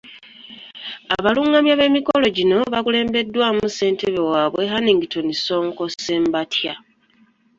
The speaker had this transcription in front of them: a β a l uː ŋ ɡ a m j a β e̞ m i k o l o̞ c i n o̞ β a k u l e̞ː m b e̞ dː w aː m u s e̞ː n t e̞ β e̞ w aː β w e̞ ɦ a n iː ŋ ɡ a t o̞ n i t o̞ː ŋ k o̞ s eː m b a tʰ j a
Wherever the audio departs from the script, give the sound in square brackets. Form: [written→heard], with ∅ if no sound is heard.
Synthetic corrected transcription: a β a l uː ŋ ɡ a m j a β e̞ m i k o l o̞ [c→ɟ] i n o̞ β a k u l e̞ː m b e̞ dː w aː m u s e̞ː n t e̞ β e̞ w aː β w e̞ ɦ a n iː ŋ ɡ [a→i] t o̞ n i [t→s] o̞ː ŋ k o̞ s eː m b a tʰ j a